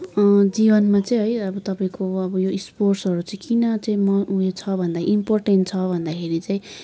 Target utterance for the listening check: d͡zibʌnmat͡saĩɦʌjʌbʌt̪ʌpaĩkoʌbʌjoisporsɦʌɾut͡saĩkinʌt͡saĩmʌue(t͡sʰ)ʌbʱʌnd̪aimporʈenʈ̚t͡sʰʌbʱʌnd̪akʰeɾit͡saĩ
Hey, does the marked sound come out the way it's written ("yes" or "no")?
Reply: yes